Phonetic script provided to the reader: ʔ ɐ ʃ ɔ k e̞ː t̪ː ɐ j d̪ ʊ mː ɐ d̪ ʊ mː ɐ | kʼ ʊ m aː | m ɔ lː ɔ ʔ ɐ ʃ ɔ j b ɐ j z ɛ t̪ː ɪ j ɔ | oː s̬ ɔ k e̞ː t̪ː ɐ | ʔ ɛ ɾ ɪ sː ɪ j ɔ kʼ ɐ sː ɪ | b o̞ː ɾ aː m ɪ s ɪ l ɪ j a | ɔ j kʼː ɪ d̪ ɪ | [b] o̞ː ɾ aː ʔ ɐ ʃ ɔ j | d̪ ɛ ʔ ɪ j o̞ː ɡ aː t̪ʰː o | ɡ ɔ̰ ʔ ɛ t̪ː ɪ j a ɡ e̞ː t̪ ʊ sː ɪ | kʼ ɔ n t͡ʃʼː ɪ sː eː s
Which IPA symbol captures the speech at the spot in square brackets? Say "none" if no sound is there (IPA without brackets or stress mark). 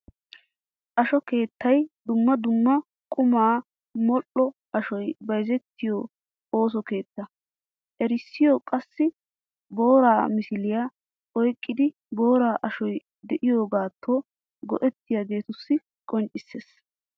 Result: b